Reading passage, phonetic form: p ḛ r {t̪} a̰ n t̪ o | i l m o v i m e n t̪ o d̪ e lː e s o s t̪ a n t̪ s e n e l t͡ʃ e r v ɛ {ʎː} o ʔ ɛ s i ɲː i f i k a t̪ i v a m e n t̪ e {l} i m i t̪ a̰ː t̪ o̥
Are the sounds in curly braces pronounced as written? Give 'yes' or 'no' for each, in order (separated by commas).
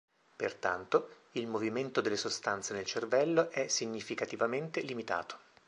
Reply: yes, no, yes